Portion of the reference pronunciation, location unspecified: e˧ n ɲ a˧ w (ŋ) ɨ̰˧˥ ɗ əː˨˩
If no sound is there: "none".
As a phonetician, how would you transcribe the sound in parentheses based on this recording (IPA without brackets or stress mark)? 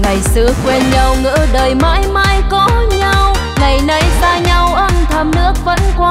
ŋ